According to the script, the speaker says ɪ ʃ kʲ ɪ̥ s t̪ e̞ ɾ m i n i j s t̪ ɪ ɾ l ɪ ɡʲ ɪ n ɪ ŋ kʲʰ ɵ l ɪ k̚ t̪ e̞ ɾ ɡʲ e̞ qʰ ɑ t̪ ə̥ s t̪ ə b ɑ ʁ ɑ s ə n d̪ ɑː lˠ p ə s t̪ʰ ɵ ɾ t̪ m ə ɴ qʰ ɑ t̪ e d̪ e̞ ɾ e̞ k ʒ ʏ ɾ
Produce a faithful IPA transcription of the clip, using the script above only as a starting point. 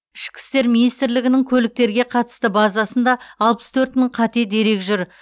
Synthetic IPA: ɪ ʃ kʲ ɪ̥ s t̪ e̞ ɾ m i n i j s t̪ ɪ ɾ l ɪ ɡʲ ɪ n ɪ ŋ kʲʰ ɵ l ɪ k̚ t̪ e̞ ɾ ɡʲ e̞ qʰ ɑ t̪ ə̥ s t̪ ə b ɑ z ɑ s ə n d̪ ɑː lˠ p ə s t̪ʰ ɵ ɾ t̪ m ə ɴ qʰ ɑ t̪ e d̪ e̞ ɾ e̞ k ʒ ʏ ɾ